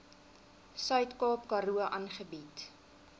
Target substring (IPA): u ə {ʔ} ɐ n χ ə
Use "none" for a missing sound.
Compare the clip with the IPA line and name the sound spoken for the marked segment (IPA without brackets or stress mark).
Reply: ʔ